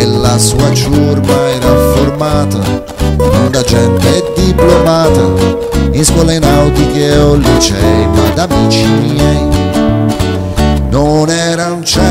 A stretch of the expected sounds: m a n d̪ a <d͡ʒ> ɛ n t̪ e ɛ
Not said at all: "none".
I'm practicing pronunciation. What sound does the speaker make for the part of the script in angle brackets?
d͡ʒ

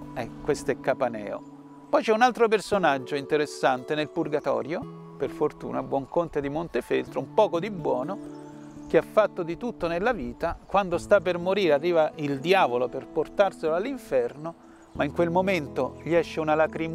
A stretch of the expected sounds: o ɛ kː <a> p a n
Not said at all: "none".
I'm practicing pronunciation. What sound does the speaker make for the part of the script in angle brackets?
a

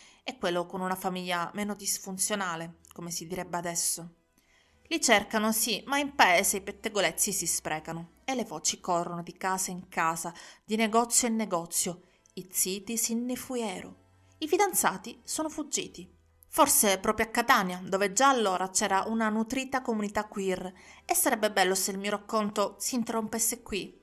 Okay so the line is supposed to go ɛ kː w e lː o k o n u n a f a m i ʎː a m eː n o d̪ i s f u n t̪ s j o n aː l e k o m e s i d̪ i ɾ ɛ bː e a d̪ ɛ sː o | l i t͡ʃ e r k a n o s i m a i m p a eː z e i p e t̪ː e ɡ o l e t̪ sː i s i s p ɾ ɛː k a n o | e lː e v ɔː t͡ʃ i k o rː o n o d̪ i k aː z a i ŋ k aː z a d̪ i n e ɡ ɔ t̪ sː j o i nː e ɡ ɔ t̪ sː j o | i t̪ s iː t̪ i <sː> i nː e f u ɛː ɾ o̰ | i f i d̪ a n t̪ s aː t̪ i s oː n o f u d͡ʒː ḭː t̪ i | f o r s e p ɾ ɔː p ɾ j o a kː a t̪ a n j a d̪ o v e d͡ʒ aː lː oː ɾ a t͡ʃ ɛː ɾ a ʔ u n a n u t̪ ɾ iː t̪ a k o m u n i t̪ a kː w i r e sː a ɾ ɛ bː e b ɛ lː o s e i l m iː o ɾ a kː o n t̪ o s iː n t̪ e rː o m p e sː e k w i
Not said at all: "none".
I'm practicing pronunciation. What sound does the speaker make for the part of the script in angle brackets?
s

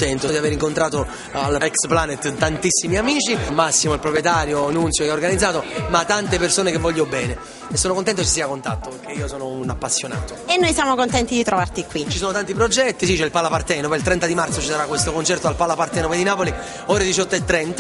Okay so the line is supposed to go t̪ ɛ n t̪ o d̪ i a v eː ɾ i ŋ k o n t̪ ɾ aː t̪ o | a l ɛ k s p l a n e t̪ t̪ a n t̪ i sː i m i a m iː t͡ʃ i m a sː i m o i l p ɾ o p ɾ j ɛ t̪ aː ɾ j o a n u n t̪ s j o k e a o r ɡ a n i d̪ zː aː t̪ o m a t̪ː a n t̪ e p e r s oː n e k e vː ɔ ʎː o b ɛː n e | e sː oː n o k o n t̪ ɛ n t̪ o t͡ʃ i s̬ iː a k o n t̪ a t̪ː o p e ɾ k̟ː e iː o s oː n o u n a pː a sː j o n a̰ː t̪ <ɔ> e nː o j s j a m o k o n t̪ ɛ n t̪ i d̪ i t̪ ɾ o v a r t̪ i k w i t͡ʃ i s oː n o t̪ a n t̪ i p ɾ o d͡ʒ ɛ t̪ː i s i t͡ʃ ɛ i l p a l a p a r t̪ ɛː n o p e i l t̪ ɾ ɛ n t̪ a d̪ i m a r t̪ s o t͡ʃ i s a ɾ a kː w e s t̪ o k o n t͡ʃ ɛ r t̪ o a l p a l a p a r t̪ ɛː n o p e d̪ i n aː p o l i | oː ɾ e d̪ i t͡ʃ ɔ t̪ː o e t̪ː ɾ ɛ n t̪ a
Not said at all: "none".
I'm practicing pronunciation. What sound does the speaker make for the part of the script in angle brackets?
o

